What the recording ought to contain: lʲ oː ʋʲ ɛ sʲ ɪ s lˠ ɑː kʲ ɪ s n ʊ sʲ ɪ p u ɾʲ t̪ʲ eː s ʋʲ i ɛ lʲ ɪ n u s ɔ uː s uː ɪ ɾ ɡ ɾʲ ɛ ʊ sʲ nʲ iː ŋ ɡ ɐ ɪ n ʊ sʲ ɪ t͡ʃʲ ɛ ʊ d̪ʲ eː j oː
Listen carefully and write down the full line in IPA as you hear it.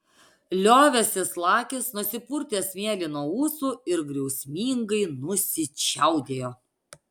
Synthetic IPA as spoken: lʲ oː ʋʲ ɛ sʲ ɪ s lˠ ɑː kʲ ɪ s n ʊ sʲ ɪ p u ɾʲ t̪ʲ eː s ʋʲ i ɛ lʲ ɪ n u ɔ uː s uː ɪ ɾ ɡ ɾʲ ɛ ʊ sʲ mʲ iː ŋ ɡ ɐ ɪ n ʊ sʲ ɪ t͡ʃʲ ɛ ʊ d̪ʲ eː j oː

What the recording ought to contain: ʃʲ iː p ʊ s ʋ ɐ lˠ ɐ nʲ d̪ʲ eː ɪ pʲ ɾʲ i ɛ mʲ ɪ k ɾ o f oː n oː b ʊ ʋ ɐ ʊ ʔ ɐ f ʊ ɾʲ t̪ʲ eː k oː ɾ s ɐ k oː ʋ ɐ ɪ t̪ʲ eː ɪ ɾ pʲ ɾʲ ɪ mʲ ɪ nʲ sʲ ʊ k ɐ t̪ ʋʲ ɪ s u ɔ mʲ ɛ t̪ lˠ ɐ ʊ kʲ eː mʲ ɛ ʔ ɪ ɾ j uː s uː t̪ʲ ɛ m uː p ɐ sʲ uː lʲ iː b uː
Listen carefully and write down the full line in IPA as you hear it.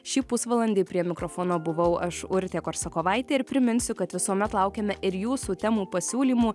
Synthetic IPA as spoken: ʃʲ iː p ʊ s ʋ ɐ lˠ ɐ nʲ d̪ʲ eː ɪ pʲ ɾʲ i ɛ mʲ ɪ k ɾ o f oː n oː b ʊ ʋ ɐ ʊ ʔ ɐ ʃ ʊ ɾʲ t̪ʲ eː k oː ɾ s ɐ k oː ʋ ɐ ɪ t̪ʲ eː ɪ ɾ pʲ ɾʲ ɪ mʲ ɪ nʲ sʲ ʊ k ɐ t̪ ʋʲ ɪ s u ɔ mʲ ɛ t̪ lˠ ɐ ʊ kʲ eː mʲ ɛ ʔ ɪ ɾ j uː s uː t̪ʲ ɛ m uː p ɐ sʲ uː lʲ iː m uː

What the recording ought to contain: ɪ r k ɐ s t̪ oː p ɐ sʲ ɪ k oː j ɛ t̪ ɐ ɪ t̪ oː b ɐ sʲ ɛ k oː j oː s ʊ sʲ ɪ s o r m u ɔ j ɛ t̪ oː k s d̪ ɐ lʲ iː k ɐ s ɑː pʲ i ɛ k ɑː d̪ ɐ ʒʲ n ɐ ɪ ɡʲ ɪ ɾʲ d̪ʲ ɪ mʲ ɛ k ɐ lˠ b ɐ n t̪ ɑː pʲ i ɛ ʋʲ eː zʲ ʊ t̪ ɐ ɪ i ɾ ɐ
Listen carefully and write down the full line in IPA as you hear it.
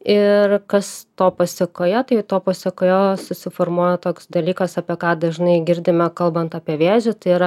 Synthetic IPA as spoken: ɪ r k ɐ s t̪ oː p ɐ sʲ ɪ k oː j ɛ t̪ ɐ ɪ t̪ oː p ɐ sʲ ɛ k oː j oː s ʊ sʲ ɪ f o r m u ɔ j ɛ t̪ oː k s d̪ ɐ lʲ iː k ɐ s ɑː pʲ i ɛ k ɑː d̪ ɐ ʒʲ n ɐ ɪ ɡʲ ɪ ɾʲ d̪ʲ ɪ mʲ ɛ k ɐ lˠ b ɐ n t̪ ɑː pʲ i ɛ ʋʲ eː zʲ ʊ t̪ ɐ ɪ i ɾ ɐ

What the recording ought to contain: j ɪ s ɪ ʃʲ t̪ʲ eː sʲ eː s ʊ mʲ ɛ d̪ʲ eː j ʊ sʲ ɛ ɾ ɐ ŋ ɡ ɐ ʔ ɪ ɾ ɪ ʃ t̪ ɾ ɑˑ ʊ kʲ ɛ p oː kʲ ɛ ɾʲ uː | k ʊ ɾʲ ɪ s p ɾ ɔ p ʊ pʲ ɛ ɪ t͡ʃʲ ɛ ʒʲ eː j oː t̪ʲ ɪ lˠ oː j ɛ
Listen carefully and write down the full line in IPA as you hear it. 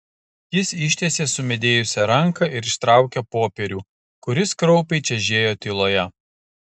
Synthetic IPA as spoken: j ɪ s ɪ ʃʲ t̪ʲ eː sʲ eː s ʊ mʲ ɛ d̪ʲ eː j ʊ sʲ ɛ ɾ ɐ ŋ k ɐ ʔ ɪ ɾ ɪ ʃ t̪ ɾ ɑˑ ʊ kʲ ɛ p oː pʲ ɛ ɾʲ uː | k ʊ ɾʲ ɪ s k ɾ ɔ ʊ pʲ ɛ ɪ t͡ʃʲ ɛ ʒʲ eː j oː t̪ʲ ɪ lˠ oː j ɛ

